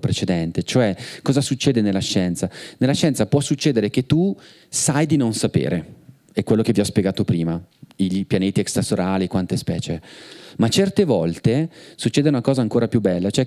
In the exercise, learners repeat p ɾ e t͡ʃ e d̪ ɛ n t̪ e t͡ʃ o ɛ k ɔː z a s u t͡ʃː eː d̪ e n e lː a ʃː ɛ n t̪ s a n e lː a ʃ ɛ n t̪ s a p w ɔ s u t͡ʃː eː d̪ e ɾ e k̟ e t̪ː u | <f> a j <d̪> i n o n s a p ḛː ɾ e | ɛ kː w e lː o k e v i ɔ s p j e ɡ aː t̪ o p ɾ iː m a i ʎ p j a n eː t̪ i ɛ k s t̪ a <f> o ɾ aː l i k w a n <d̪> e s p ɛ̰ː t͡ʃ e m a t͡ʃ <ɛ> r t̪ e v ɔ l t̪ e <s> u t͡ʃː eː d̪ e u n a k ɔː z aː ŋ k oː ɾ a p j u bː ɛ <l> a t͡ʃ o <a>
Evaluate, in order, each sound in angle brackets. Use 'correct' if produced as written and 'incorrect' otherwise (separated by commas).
incorrect, correct, incorrect, incorrect, correct, correct, incorrect, incorrect